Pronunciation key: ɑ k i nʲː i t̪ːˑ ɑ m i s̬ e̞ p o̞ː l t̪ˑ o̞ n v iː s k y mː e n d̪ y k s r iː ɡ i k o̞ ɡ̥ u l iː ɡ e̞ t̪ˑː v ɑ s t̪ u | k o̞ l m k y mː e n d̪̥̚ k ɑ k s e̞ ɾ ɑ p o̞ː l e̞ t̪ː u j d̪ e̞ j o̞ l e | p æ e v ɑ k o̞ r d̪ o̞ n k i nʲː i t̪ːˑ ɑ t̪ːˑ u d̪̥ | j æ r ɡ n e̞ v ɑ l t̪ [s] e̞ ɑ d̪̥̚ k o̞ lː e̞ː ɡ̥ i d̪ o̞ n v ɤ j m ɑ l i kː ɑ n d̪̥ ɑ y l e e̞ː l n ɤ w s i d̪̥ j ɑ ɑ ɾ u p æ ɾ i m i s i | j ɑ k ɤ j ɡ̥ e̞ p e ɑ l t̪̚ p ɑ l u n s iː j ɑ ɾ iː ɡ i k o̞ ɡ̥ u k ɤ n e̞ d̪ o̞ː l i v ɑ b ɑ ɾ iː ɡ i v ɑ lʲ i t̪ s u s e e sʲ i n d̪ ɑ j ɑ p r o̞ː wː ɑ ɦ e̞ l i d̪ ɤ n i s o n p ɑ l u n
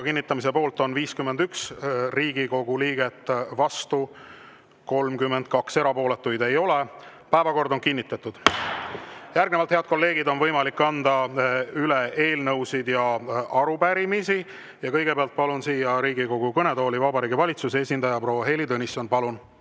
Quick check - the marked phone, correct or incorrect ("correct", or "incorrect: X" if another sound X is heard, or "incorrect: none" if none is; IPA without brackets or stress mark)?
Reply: incorrect: h